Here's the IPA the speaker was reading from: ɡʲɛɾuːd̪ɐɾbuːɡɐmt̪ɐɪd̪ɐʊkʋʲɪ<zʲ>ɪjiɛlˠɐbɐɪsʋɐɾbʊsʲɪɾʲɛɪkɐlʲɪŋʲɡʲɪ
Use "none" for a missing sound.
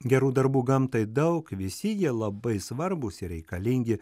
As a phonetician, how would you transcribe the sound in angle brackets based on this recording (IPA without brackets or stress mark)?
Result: sʲ